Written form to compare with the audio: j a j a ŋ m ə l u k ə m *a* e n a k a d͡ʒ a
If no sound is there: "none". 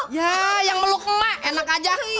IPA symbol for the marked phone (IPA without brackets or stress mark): a